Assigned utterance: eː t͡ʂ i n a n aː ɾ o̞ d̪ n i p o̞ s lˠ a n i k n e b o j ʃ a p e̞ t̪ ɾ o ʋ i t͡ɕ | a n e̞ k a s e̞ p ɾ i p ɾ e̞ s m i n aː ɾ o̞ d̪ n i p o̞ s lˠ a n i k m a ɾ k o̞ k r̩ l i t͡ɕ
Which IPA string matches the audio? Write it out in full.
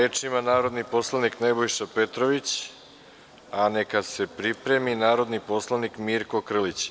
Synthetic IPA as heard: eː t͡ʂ i m a n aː ɾ o̞ d̪ n i p o̞ s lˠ a n i k n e b o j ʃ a p e̞ t̪ ɾ o ʋ i t͡ɕ | a n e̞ k a s e̞ p ɾ i p ɾ e̞ m i n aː ɾ o̞ d̪ n i p o̞ s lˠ a n i k m i ɾ k o̞ k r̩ l i t͡ɕ